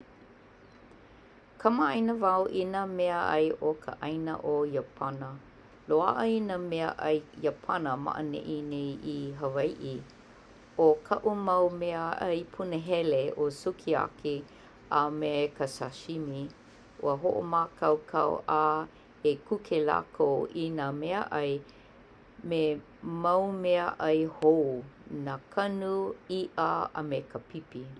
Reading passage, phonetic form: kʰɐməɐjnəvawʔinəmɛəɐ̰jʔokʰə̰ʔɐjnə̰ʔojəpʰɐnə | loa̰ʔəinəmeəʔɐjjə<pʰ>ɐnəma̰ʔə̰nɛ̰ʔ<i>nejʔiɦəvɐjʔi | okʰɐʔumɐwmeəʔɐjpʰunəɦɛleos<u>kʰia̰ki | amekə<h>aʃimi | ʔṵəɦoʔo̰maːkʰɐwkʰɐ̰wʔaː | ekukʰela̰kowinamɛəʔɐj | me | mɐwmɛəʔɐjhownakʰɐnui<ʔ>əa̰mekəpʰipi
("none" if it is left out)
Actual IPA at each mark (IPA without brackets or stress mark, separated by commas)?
pʰ, i, u, s, ʔ